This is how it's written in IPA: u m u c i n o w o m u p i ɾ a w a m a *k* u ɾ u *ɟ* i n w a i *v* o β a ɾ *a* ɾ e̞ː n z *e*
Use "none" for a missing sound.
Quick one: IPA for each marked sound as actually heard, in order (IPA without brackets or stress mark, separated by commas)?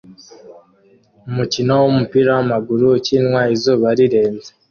ɡ, c, z, i, e